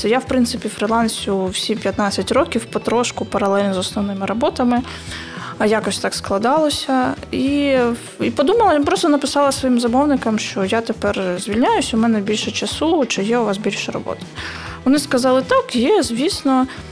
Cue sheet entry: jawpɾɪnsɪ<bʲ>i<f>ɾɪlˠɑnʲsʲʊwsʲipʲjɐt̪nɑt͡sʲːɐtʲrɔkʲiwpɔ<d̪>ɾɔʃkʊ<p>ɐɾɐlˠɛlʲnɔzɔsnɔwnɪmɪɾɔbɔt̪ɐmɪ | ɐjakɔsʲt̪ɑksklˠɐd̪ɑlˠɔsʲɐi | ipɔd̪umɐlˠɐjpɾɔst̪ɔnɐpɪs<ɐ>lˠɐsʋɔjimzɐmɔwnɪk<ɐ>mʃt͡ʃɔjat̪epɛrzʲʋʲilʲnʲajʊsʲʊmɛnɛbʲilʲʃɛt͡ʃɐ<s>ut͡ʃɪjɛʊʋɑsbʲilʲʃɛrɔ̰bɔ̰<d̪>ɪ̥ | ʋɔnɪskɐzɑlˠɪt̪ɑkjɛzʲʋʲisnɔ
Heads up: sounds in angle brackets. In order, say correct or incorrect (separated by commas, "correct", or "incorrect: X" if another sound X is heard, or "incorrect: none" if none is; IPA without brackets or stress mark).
incorrect: pʲ, correct, incorrect: t̪, correct, incorrect: ɑ, correct, correct, incorrect: t̪